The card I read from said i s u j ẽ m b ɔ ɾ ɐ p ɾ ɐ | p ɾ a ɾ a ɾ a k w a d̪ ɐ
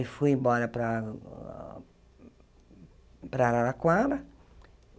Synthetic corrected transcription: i f u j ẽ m b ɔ ɾ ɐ p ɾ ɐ | p ɾ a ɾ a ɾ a k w a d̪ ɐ